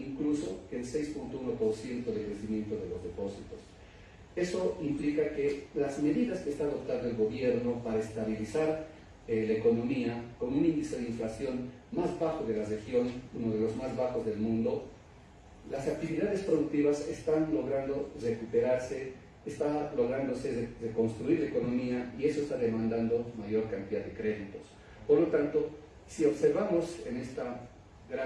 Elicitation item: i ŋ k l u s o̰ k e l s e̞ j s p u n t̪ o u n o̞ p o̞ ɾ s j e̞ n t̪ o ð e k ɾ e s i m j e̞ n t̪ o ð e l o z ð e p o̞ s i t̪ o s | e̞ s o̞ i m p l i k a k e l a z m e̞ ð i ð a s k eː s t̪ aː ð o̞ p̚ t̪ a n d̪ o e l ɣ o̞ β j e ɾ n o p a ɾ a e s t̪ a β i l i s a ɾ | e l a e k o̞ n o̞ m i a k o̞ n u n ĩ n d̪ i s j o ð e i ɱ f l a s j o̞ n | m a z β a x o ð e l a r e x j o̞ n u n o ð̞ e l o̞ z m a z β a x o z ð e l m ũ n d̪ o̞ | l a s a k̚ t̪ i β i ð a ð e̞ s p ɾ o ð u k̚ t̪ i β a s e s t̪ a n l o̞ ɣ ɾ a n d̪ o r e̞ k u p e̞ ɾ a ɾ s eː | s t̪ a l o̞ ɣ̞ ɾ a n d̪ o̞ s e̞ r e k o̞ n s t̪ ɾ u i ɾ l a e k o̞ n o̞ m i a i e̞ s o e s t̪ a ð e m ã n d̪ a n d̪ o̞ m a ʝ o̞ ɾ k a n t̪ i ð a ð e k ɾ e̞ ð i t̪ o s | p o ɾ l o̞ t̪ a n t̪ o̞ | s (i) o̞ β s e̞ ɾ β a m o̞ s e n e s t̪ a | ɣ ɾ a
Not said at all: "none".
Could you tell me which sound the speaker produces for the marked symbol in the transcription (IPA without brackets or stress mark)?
i